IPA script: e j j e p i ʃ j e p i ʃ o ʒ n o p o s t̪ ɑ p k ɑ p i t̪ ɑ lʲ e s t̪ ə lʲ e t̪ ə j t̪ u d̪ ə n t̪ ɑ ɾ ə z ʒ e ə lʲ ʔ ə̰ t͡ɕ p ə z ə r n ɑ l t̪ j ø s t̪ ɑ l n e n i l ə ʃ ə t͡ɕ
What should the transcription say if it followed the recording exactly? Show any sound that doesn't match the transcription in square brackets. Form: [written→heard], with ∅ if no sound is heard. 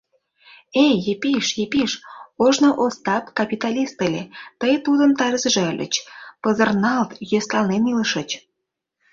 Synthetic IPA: e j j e p i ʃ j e p i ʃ o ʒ n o [p→ʔ] o s t̪ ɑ p k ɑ p i t̪ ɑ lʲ [e→i] s t̪ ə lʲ e t̪ ə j t̪ u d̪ ə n t̪ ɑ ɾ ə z ʒ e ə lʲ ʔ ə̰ t͡ɕ p ə z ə r n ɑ l t̪ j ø s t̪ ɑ l n e n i l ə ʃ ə t͡ɕ